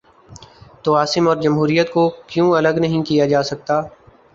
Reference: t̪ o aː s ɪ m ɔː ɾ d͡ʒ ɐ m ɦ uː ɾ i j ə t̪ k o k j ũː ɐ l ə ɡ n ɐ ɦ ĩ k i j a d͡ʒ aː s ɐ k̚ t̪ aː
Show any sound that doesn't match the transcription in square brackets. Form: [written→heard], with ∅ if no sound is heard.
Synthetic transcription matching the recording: t̪ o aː s ɪ m ɔː ɾ d͡ʒ ɐ m ɦ uː ɾ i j ə t̪ k o k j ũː ɐ l ə ɡ n ɐ ɦ ĩ k i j a d͡ʒ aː s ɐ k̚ t̪ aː

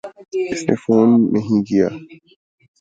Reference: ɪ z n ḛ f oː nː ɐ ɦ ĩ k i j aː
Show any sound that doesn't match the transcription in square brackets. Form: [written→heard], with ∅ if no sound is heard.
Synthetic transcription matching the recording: ɪ [z→s] n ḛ f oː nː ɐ ɦ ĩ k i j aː

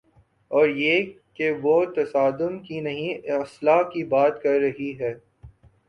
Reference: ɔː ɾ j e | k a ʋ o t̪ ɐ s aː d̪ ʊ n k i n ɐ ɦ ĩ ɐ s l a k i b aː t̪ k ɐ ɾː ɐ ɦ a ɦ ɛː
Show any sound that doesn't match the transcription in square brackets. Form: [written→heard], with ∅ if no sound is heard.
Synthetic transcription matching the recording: ɔː ɾ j e | k [a→e] ʋ o t̪ ɐ s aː d̪ ʊ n k i n ɐ ɦ ĩ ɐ s l a k i b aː t̪ k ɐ ɾː ɐ ɦ [a→i] ɦ ɛː

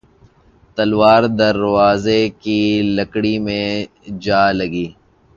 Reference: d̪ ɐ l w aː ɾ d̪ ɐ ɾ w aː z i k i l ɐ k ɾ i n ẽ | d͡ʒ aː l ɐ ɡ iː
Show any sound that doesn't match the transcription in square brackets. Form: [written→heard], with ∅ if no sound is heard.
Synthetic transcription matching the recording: [d̪→t̪] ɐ l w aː ɾ d̪ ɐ ɾ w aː z [i→e] k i l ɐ k [ɾ→ɽ] i [n→m] ẽ | d͡ʒ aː l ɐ ɡ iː

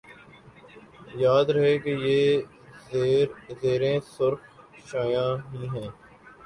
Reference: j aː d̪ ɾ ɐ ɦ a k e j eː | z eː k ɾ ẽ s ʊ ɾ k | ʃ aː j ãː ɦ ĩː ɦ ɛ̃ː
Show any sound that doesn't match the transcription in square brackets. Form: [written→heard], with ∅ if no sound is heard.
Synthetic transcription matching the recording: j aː d̪ ɾ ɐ ɦ [a→e] k e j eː | z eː [k→∅] ɾ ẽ s ʊ ɾ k | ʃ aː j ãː ɦ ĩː ɦ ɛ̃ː

